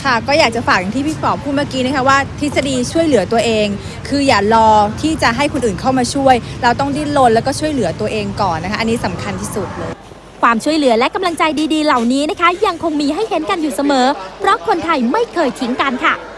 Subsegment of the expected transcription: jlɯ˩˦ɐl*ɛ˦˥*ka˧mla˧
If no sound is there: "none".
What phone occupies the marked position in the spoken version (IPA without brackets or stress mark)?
ɛ˦˥